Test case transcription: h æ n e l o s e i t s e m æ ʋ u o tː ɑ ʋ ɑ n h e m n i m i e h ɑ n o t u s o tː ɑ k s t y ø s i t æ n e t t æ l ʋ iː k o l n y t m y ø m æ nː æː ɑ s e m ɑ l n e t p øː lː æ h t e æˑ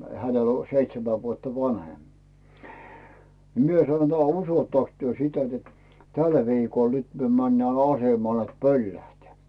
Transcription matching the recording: h æ n e l o s e i t s e m æ ʋ u o tː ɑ ʋ ɑ n h e m n i m i e s ɑ n o t u s o tː ɑ k s t y ø s i t æ n e t t æ l ʋ iː k o l n y t m y ø m æ nː æː ɑ s e m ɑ l n e t p ø lː æ h t e æˑ